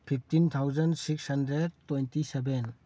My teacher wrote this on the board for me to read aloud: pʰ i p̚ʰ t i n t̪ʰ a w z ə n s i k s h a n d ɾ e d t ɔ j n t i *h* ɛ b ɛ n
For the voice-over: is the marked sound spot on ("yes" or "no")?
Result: no